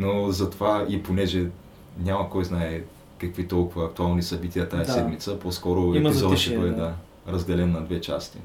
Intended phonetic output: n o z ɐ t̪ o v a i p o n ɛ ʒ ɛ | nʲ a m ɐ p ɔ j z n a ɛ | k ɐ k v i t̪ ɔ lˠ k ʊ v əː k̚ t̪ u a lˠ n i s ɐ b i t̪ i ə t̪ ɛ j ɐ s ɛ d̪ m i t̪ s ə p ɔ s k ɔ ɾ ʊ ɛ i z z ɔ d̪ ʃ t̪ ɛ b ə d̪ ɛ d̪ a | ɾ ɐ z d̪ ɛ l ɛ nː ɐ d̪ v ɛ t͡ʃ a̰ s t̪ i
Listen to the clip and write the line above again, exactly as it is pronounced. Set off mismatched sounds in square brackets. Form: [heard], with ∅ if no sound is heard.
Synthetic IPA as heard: n o z ɐ t̪ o v a i p o n ɛ ʒ ɛ | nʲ a m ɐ [k] ɔ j z n a ɛ | k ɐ k v i t̪ ɔ lˠ k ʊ v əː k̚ t̪ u a lˠ n i s ɐ b i t̪ i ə t̪ [a] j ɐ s ɛ d̪ m i t̪ s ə p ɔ s k ɔ ɾ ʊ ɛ i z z ɔ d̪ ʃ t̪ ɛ b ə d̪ ɛ d̪ a | ɾ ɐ z d̪ ɛ l ɛ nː ɐ d̪ v ɛ t͡ʃ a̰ s t̪ i